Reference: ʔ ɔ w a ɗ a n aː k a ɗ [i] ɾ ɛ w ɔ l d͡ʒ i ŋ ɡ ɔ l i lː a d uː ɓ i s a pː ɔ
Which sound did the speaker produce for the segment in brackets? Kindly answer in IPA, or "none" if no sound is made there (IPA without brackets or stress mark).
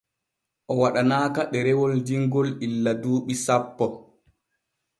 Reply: ɛ